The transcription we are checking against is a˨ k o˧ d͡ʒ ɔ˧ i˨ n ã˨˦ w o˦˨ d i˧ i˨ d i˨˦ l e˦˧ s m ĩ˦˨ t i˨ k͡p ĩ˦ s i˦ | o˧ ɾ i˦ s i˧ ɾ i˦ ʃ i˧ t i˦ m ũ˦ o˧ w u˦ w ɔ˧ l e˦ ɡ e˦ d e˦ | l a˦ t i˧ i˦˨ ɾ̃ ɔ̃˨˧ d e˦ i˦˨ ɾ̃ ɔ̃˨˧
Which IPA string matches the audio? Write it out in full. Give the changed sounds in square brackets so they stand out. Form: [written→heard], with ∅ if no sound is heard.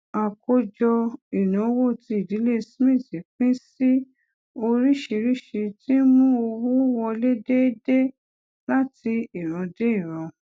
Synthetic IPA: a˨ k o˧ d͡ʒ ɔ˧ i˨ n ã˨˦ w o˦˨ [d→t] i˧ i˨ d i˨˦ l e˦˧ s m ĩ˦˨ t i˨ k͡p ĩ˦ s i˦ | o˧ ɾ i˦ [s→ʃ] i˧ ɾ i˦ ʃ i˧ t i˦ m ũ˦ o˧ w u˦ w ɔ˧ l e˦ [ɡ→d] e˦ d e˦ | l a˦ t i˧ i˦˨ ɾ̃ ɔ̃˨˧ d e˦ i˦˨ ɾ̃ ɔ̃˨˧